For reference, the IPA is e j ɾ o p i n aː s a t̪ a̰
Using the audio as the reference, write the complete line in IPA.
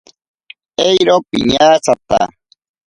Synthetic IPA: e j ɾ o p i ɲ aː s a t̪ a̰